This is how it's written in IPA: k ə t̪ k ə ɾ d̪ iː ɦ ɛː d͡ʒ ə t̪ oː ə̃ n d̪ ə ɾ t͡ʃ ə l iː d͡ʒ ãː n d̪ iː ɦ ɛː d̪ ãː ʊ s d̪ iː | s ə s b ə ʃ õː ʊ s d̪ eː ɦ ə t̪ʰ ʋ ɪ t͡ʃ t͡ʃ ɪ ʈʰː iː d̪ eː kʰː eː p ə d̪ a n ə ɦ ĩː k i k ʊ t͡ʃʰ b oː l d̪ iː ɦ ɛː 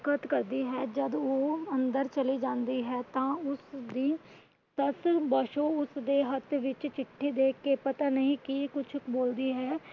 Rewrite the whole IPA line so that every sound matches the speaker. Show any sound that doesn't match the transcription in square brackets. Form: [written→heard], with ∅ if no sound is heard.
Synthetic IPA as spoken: k ə t̪ k ə ɾ d̪ iː ɦ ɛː d͡ʒ ə [t̪→d̪] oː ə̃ n d̪ ə ɾ t͡ʃ ə l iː d͡ʒ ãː n d̪ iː ɦ ɛː [d̪→t̪] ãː ʊ s d̪ iː | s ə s b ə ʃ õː ʊ s d̪ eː ɦ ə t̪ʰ ʋ ɪ t͡ʃ t͡ʃ ɪ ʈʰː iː d̪ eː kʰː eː p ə [d̪→t̪] a n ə ɦ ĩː k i k ʊ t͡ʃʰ b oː l d̪ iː ɦ ɛː